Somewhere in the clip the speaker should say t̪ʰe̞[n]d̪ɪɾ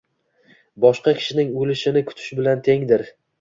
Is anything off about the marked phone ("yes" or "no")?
yes